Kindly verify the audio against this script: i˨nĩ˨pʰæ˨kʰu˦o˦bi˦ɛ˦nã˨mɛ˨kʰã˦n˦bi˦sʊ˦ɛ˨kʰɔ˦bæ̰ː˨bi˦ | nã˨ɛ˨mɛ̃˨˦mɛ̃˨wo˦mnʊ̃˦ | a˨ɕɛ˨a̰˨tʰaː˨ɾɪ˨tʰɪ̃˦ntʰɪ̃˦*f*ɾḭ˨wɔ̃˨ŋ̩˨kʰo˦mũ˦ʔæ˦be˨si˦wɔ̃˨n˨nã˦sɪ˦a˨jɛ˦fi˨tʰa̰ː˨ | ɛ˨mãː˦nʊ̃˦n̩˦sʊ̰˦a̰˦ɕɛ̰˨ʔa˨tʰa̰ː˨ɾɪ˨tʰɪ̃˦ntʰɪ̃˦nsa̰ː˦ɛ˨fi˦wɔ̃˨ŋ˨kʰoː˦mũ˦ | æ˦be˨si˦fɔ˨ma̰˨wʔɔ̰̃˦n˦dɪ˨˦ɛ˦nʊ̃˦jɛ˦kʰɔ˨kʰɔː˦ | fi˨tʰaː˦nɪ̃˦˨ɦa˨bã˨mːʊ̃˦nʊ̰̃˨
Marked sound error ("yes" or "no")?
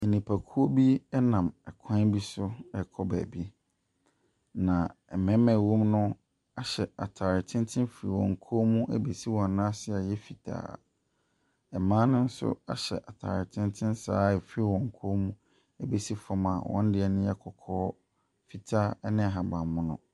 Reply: no